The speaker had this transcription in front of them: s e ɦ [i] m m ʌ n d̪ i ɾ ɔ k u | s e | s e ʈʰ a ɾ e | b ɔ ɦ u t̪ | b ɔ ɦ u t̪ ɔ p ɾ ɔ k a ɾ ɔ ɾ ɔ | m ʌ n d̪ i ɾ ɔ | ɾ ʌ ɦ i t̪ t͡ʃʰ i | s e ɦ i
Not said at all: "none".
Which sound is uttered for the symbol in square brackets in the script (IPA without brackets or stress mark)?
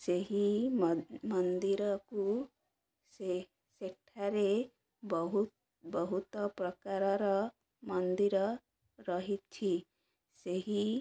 i